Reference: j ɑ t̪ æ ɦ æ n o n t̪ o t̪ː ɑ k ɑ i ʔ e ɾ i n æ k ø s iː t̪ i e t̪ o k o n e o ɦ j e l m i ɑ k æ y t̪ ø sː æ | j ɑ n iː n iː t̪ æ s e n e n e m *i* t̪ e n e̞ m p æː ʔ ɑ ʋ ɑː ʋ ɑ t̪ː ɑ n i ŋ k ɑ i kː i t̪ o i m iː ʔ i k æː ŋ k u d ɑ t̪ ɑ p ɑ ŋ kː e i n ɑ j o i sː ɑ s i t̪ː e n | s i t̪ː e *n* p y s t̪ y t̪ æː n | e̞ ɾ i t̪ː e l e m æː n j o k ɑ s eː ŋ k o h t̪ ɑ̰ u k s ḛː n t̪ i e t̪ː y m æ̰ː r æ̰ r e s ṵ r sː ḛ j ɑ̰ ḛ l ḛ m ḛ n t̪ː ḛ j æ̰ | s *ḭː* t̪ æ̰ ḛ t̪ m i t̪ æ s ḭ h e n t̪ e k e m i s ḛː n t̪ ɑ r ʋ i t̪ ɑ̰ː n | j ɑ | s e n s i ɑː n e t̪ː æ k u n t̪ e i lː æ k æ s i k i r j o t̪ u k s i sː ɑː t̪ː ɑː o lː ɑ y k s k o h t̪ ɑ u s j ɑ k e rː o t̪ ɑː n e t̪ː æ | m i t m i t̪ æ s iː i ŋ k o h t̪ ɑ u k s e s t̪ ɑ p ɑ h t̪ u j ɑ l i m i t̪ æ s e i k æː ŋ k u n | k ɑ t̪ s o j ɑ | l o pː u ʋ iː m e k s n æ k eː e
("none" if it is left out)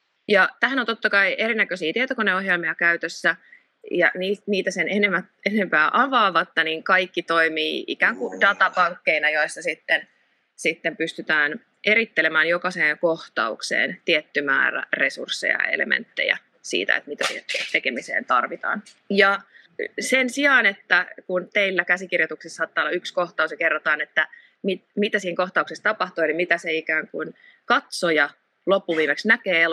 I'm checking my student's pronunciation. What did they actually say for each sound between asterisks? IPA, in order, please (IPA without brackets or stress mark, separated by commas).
æ, m, ḭː